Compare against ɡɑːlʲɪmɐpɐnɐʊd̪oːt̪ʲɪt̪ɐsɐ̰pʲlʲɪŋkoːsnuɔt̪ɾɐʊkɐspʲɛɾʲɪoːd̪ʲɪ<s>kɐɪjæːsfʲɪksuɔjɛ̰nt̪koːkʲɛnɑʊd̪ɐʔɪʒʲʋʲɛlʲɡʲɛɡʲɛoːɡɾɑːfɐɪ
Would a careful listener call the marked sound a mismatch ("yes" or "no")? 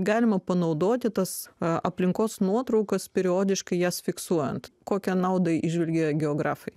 yes